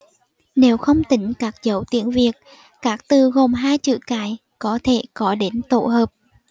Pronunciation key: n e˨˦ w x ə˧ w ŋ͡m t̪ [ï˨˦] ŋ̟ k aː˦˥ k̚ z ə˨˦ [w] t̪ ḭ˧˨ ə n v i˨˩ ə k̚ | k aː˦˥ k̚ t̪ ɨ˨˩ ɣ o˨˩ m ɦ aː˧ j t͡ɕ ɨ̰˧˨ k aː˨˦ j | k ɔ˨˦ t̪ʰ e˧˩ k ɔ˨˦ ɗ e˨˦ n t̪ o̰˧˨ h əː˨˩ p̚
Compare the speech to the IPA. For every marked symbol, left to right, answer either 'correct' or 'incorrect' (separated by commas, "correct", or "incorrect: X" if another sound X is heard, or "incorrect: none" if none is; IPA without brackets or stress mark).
correct, correct